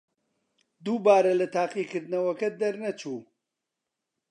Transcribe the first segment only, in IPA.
d̪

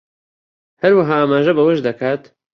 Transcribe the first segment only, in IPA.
h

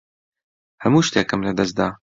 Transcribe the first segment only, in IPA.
h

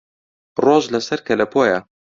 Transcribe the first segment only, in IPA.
r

